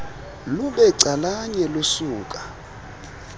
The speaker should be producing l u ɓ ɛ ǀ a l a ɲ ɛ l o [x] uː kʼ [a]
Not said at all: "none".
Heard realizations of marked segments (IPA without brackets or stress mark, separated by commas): s, a